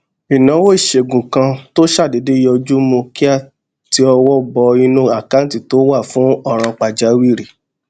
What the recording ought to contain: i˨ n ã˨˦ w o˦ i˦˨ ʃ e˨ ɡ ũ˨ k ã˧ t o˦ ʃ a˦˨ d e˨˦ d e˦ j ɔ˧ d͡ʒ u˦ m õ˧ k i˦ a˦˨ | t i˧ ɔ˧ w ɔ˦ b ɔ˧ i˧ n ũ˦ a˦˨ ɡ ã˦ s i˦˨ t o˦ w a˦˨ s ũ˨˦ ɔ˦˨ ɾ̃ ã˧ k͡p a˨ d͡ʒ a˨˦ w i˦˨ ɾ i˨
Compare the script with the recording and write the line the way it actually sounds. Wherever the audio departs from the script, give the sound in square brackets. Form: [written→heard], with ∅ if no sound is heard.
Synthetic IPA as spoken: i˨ n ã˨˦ w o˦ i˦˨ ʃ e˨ ɡ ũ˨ k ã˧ t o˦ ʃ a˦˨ d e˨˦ d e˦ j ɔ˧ d͡ʒ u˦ m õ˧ k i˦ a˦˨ | t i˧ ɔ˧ w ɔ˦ b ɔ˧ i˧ n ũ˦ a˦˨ [ɡ→k] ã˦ [s→t] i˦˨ t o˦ w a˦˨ [s→f] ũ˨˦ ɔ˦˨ ɾ̃ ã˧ k͡p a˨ d͡ʒ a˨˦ w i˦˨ ɾ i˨